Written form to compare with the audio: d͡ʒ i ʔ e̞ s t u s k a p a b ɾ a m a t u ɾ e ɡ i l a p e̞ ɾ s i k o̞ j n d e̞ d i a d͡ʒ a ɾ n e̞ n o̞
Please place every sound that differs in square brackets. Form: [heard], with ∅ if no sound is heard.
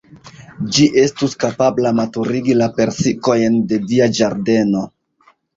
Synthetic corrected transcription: d͡ʒ i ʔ e̞ s t u s k a p a b [l] a m a t u ɾ [i] ɡ i l a p e̞ ɾ s i k o̞ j n d e̞ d i a d͡ʒ a ɾ [d] e̞ n o̞